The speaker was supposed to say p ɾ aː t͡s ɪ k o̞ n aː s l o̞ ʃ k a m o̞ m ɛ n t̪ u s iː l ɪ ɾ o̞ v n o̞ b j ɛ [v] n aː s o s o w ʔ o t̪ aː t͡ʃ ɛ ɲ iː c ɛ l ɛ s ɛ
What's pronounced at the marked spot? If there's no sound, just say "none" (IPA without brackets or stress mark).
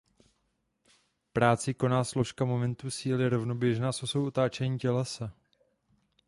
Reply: ʒ